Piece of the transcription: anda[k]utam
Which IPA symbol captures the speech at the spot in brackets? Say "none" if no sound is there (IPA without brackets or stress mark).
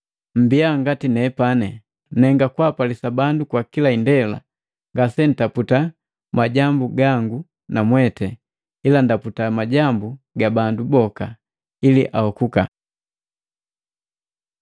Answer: p